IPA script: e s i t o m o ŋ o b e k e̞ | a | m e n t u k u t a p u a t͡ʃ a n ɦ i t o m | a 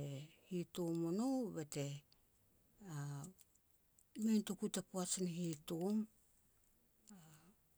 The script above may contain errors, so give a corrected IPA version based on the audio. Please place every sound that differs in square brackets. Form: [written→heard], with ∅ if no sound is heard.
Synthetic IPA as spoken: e [s→h] i t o m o [ŋ→n] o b e [k→t] e̞ | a | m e n t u k u t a p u a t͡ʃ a n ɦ i t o m | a